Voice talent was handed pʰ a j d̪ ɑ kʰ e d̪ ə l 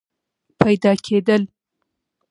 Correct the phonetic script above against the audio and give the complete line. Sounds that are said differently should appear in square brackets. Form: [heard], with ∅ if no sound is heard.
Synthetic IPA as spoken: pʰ a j d̪ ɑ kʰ e d̪ ə l